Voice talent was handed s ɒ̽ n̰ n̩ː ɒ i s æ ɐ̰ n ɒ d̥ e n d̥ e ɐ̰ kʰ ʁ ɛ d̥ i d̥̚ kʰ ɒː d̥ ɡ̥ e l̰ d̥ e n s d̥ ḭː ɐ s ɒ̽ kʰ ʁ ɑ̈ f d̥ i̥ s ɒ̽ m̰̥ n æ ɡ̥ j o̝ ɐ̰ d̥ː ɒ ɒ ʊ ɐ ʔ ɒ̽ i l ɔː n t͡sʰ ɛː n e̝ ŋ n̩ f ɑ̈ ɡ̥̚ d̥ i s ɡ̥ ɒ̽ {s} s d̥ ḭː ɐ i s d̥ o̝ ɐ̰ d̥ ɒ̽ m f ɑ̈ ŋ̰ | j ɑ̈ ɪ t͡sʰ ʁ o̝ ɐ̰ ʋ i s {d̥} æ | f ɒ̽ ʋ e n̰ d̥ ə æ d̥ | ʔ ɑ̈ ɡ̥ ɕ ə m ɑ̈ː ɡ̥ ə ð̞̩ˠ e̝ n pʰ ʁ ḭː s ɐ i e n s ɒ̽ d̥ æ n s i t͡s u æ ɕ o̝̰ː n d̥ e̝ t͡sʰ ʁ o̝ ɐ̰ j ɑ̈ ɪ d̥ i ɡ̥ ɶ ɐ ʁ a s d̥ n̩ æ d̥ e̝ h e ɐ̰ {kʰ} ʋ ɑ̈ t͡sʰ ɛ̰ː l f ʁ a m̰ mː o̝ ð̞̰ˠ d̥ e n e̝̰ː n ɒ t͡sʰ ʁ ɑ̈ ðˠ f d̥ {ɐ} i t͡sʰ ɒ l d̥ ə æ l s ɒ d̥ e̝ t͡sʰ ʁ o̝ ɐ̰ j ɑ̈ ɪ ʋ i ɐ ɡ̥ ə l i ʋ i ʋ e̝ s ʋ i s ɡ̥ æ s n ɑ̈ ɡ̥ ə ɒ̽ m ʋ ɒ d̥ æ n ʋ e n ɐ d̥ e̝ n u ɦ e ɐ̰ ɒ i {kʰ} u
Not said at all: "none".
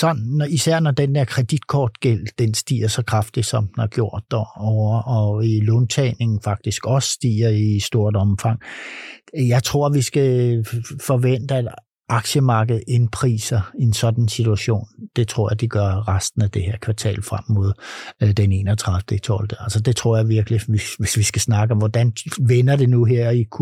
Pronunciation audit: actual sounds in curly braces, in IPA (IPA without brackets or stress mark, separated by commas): s, ɡ̥, kʰ, ə, kʰ